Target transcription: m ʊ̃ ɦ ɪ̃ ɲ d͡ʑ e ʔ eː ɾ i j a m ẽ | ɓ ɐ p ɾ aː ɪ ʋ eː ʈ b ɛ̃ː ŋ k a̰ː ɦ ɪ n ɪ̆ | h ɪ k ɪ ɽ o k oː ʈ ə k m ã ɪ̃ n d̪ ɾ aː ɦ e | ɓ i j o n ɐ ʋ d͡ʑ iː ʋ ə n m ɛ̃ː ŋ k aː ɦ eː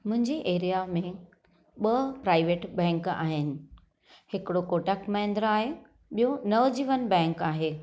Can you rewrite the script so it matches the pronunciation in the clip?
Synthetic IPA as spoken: m ʊ̃ ɦ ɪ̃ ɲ d͡ʑ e ʔ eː ɾ i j a m ẽ | ɓ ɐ p ɾ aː ɪ ʋ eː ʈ b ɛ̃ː ŋ k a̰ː ɦ ɪ n ɪ̆ | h ɪ k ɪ ɽ o k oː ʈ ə k m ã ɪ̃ n d̪ ɾ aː ɦ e | ɓ i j o n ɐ ʋ d͡ʑ iː ʋ ə n b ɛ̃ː ŋ k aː ɦ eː